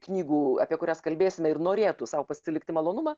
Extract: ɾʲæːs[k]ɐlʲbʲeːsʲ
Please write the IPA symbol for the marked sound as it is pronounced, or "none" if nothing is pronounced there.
k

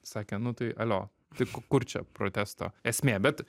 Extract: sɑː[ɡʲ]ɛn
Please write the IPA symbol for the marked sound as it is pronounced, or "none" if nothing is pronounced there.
kʲ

